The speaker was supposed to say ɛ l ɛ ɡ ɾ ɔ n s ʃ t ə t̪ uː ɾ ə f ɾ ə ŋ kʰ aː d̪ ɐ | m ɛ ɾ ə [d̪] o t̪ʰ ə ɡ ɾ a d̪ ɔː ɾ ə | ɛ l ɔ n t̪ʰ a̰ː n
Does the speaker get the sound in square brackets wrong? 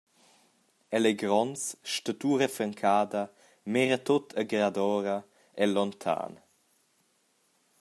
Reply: yes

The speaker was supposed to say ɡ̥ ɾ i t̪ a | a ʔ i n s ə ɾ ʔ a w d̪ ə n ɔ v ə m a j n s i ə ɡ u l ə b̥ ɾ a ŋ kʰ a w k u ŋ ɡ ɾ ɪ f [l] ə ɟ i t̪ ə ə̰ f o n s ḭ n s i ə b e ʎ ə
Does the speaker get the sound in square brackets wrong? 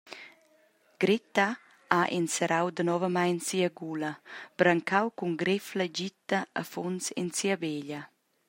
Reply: no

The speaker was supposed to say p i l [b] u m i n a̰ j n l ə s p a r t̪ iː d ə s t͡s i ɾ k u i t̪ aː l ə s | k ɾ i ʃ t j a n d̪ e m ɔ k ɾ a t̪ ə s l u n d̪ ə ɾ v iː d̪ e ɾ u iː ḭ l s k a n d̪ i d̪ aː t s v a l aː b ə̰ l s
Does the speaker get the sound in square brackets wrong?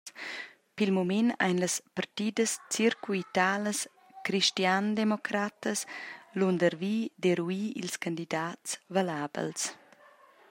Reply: yes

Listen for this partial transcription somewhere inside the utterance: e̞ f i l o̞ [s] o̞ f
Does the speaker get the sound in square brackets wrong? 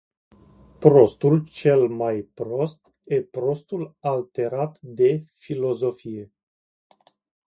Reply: yes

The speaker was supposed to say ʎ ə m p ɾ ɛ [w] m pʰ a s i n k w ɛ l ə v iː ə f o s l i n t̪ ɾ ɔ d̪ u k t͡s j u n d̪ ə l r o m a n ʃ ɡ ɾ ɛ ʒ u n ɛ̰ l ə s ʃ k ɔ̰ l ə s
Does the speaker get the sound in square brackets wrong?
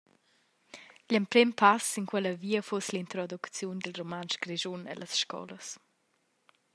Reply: yes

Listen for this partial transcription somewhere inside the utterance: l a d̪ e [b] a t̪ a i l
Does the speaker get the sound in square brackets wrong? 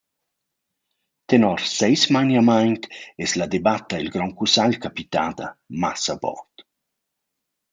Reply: no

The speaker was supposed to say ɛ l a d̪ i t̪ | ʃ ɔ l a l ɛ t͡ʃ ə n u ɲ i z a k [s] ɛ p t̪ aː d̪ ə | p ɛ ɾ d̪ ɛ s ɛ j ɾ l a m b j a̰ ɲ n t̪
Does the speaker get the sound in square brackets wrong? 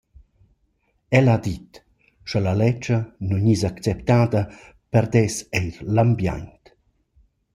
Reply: yes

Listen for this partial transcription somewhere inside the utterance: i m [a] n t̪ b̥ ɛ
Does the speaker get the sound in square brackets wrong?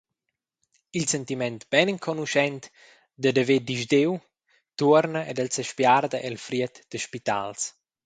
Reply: yes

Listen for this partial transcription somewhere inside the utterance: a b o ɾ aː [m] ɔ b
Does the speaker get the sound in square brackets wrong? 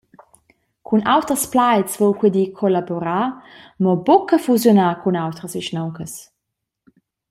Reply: no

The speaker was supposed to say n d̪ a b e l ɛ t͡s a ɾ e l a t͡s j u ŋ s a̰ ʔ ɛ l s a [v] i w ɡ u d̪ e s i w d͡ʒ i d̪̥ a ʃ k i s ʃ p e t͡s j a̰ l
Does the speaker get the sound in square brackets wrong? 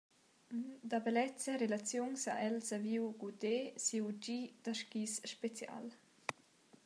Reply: no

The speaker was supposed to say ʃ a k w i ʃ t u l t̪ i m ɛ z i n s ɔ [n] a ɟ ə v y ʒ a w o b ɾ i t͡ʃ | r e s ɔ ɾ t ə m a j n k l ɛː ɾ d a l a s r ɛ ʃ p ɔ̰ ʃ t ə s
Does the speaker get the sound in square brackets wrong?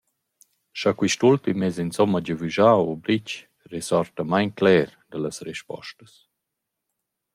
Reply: yes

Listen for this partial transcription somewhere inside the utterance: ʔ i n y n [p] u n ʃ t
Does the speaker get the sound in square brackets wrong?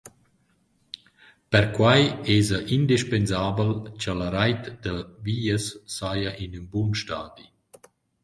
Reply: yes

